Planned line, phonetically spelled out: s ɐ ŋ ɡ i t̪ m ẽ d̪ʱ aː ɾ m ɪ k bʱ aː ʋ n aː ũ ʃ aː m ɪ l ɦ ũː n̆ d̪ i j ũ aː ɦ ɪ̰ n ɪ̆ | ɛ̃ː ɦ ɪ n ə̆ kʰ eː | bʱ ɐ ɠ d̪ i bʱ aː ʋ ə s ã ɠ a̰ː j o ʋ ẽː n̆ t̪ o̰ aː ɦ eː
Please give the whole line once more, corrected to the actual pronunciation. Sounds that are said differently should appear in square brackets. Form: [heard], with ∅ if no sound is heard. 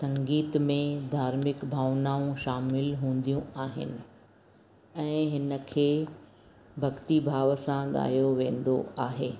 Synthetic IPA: s [ɐ̃] ŋ ɡ [iː] t̪ m ẽ d̪ʱ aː ɾ m ɪ k bʱ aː ʋ n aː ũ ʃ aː m ɪ l ɦ ũː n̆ d̪ i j ũ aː ɦ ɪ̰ n ɪ̆ | ɛ̃ː ɦ ɪ n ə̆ kʰ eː | bʱ ɐ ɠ [t̪] i bʱ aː ʋ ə s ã ɠ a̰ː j o ʋ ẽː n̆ [d̪] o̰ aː ɦ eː